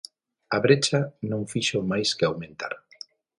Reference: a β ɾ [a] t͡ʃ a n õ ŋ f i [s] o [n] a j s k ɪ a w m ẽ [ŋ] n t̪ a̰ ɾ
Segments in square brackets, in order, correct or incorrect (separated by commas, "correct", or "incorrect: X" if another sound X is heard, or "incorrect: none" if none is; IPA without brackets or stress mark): incorrect: e, incorrect: ʃ, incorrect: m, incorrect: none